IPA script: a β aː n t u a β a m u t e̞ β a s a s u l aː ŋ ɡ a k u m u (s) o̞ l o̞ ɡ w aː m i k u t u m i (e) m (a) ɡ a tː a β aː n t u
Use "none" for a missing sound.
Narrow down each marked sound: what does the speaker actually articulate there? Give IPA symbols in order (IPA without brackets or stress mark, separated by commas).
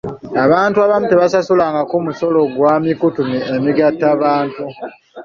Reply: s, e, i